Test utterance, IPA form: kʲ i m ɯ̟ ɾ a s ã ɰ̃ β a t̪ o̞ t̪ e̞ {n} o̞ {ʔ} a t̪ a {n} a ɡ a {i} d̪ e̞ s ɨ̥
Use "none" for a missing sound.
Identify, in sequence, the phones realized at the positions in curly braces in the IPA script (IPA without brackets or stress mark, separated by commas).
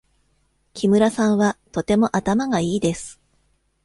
m, ʔ, m, iː